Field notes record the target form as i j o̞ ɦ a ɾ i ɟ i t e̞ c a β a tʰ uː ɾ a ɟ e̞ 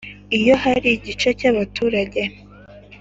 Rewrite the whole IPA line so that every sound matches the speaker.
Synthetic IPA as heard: i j o̞ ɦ a ɾ i ɟ i t͡ʃ e̞ c a β a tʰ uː ɾ a ɟ e̞

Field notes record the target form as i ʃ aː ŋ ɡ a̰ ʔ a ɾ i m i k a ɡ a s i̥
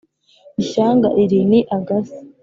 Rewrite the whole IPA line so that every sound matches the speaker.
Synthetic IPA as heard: i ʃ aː ŋ ɡ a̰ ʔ i ɾ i n i ʔ a ɡ a s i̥

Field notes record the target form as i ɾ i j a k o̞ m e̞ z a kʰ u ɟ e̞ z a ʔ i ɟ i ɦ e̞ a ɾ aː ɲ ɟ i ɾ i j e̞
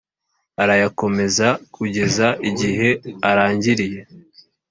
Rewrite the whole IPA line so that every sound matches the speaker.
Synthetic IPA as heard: a ɾ a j a k o̞ m e̞ z a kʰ u ɟ e̞ z a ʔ i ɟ i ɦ e̞ a ɾ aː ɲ ɟ i ɾ i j e̞

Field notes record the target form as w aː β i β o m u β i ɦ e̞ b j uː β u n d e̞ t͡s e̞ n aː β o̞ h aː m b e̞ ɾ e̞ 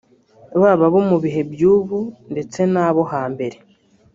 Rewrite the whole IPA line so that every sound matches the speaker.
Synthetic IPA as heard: β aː β a β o m u β i ɦ e̞ b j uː β u n d e̞ t͡s e̞ n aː β o̞ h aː m b e̞ ɾ e̞

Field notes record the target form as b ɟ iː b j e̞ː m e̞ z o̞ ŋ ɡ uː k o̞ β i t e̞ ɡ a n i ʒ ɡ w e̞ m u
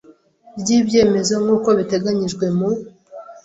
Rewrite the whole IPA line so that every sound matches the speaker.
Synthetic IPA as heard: b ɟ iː b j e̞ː m e̞ z o̞ ŋ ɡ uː k o̞ β i t e̞ ɡ a ɲ i ʒ ɡ w e̞ m u

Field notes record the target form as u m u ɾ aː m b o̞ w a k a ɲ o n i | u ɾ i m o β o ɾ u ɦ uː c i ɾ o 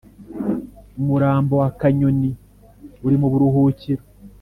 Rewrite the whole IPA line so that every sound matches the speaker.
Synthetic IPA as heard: u m u ɾ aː m b o̞ w a k a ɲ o n i | u ɾ i m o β u ɾ u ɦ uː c i ɾ o

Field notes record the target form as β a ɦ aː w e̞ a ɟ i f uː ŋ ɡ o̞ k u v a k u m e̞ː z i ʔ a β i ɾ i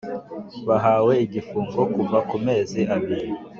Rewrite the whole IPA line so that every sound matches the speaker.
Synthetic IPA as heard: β a ɦ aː w e̞ i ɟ i f uː ŋ ɡ o̞ k u v a k u m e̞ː z i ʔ a β i ɾ i

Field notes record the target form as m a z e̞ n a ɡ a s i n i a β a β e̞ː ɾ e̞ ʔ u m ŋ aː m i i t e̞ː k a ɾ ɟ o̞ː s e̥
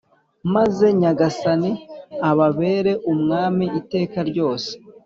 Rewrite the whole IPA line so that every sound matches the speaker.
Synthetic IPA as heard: m a z e̞ ɲ a ɡ a s a n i a β a β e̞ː ɾ e̞ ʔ u m ŋ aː m i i t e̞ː k a ɾ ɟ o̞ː s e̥

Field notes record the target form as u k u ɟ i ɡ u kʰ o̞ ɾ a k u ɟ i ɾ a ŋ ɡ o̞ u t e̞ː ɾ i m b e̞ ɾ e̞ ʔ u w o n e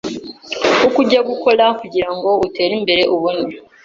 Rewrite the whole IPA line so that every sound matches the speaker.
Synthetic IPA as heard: u k u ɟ a ɡ u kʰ o̞ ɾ a k u ɟ i ɾ a ŋ ɡ o̞ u t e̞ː ɾ i m b e̞ ɾ e̞ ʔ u β o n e

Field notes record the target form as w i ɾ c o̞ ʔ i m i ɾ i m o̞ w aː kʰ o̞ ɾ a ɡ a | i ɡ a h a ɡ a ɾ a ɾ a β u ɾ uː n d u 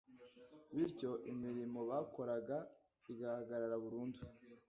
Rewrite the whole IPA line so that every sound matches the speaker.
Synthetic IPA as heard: β i ɾ c o̞ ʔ i m i ɾ i m o̞ β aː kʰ o̞ ɾ a ɡ a | i ɡ a h a ɡ a ɾ a ɾ a β u ɾ uː n d u

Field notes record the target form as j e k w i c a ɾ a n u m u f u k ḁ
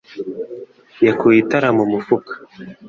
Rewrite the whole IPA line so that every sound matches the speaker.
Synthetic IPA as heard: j a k u i t a ɾ a m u m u f u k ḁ

